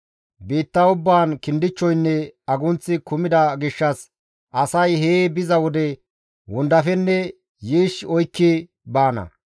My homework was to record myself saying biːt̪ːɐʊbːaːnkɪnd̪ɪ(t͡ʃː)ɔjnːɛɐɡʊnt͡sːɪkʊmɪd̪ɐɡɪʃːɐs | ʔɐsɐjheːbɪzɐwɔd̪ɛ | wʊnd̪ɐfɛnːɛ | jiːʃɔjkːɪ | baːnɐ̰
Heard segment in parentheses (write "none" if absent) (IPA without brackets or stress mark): t͡ʃː